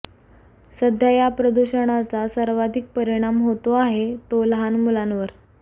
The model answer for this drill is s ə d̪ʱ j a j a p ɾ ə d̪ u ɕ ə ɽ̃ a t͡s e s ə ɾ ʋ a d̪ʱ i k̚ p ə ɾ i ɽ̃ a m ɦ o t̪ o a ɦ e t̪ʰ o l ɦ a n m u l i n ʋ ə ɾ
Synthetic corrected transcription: s ə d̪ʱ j a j a p ɾ ə d̪ u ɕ ə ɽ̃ a t͡s a s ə ɾ ʋ a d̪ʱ i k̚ p ə ɾ i ɽ̃ a m ɦ o t̪ o a ɦ e t̪ o l ɦ a n m u l a n ʋ ə ɾ